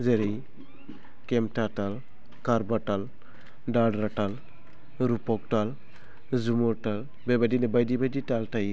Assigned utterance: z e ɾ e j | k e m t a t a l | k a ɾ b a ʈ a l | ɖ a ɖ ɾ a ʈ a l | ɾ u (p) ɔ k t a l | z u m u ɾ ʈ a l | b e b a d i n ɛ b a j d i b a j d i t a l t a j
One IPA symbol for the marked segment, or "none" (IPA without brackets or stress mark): p